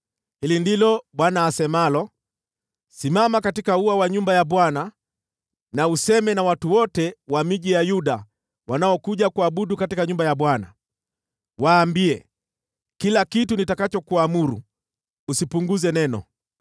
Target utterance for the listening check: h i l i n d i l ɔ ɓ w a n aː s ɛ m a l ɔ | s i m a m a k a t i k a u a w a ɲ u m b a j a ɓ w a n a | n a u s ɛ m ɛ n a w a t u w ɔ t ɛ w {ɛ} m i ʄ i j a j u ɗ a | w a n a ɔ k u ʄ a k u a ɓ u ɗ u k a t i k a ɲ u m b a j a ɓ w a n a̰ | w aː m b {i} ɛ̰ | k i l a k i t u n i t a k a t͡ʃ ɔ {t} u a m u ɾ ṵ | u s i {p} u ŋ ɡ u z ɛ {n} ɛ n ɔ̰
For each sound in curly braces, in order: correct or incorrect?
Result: incorrect: a, correct, incorrect: k, correct, correct

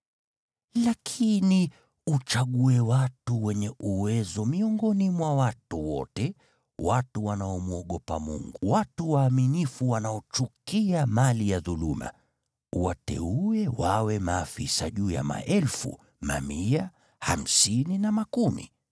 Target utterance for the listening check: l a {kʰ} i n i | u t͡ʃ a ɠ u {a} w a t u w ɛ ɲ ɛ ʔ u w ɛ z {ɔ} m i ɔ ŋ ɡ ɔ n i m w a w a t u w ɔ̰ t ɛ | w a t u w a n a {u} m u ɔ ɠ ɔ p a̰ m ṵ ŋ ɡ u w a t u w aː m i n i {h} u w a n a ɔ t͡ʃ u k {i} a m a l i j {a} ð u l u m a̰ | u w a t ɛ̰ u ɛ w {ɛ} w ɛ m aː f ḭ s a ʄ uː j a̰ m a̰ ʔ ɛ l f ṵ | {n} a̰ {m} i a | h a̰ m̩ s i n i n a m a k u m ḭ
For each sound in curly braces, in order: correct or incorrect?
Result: correct, incorrect: ɛ, correct, incorrect: ɔ, incorrect: f, correct, correct, incorrect: a, incorrect: m, correct

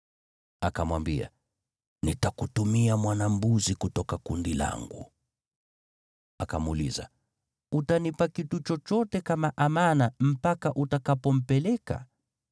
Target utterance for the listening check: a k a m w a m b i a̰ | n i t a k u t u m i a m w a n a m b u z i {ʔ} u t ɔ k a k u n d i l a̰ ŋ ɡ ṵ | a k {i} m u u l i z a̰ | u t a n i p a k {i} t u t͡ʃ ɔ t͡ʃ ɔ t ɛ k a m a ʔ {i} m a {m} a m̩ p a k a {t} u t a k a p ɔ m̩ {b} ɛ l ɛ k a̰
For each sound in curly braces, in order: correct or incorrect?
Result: incorrect: k, incorrect: a, correct, incorrect: a, incorrect: n, incorrect: ʔ, incorrect: p

